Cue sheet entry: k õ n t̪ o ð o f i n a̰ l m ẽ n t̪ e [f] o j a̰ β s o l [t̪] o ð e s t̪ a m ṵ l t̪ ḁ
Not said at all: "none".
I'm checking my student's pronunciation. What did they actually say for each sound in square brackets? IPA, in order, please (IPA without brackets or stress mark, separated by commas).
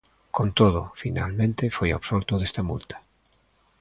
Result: f, t̪